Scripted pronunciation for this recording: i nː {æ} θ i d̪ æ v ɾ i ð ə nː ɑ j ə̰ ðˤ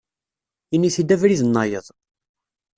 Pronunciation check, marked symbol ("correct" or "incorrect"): incorrect